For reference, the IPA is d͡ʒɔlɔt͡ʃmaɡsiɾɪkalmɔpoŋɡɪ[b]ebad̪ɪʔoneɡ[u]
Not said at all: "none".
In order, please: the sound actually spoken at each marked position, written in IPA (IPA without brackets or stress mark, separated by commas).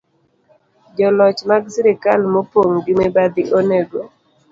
m, o